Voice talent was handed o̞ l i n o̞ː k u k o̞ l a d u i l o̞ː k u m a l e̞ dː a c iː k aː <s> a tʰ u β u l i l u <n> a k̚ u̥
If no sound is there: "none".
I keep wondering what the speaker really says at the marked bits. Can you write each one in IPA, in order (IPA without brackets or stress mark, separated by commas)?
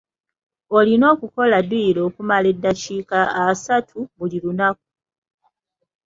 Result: s, n